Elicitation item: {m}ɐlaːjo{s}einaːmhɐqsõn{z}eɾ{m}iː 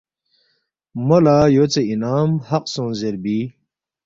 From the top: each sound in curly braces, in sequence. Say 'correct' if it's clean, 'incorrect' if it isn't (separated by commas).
correct, incorrect, correct, incorrect